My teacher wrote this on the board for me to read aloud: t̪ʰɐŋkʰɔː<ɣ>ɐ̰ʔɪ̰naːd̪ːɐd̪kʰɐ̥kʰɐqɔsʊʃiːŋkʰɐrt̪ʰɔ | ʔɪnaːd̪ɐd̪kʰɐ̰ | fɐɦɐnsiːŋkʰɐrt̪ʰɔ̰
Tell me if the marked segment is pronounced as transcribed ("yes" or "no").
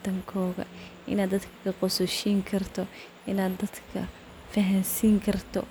yes